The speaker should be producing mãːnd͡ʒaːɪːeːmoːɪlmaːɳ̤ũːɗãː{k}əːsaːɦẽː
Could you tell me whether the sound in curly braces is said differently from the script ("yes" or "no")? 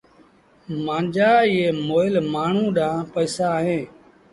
yes